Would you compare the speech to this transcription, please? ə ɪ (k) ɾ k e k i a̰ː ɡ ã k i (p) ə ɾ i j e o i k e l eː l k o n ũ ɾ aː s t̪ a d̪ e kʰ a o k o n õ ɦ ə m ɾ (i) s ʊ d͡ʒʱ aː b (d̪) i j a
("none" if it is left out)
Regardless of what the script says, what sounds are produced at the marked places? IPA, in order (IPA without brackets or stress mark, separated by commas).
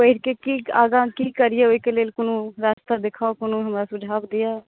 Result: none, k, a, d̪